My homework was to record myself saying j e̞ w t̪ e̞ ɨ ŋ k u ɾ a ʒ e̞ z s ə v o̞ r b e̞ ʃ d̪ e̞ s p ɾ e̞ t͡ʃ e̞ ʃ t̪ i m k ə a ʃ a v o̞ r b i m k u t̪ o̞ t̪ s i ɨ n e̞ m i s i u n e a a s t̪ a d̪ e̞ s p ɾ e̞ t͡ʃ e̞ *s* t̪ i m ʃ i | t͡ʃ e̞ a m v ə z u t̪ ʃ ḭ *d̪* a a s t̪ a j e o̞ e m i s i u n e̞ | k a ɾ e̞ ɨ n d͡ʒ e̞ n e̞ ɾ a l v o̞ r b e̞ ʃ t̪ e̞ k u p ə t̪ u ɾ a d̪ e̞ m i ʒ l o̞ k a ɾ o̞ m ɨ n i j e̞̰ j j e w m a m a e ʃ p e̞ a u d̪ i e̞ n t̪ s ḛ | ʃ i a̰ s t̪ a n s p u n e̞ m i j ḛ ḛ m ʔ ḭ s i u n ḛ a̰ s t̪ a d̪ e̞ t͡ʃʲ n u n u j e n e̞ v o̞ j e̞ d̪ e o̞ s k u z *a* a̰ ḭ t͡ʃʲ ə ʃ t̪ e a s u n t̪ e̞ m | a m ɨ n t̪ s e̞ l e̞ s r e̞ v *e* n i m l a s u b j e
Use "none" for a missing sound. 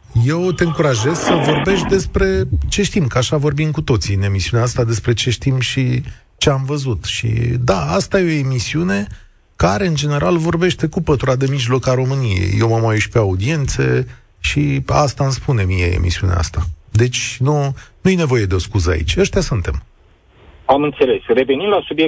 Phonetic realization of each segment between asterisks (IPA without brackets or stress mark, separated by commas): ʃ, d̪, ə, e